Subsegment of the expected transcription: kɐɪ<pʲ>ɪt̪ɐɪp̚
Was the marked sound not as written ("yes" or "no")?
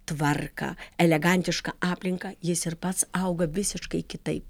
yes